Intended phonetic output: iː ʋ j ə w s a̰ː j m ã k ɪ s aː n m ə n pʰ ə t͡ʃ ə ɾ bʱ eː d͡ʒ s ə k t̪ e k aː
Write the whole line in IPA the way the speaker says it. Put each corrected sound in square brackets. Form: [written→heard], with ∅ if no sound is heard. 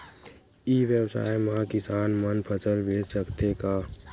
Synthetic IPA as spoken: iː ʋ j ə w s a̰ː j m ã k ɪ s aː n m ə n pʰ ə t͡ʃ ə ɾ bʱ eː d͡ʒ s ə k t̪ e k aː